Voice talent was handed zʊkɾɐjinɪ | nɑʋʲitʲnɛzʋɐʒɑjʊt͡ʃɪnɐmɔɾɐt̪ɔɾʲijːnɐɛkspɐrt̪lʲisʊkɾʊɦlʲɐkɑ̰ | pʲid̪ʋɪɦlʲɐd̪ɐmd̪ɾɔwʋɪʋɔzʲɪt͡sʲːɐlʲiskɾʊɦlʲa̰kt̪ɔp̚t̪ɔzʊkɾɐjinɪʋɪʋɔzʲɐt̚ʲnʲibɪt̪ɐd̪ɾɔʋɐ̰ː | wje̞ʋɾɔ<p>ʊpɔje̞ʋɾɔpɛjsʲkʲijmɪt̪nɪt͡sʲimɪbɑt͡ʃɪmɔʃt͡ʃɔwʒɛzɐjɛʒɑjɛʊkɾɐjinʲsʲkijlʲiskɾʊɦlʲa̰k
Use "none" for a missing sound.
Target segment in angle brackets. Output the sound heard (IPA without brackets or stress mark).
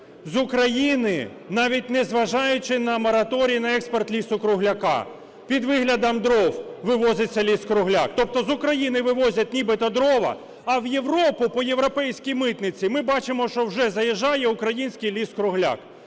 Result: p